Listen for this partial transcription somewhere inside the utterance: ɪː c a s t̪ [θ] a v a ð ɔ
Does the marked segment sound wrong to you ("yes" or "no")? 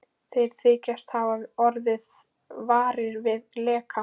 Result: yes